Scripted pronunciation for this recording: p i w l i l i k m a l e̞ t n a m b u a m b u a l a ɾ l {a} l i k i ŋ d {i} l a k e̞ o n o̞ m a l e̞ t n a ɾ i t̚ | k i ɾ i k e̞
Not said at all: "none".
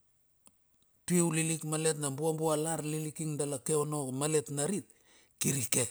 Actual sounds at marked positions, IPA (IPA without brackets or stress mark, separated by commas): i, a